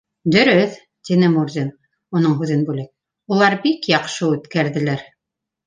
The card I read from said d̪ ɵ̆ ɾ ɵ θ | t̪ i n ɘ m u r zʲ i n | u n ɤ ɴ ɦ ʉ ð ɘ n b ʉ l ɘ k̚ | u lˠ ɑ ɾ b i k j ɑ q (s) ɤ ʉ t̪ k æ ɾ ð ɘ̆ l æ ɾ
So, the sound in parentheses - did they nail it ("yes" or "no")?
no